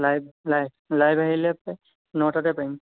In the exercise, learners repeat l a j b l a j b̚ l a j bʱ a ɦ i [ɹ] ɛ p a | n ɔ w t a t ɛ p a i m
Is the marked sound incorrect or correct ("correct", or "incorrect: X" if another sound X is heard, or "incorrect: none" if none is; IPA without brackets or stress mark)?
incorrect: l